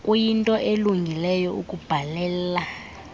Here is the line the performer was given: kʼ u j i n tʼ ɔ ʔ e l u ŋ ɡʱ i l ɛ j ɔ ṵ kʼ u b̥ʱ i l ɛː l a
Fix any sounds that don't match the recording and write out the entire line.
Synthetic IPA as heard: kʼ u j i n tʼ ɔ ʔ e l u ŋ ɡʱ i l ɛ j ɔ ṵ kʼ u b̥ʱ a l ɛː l a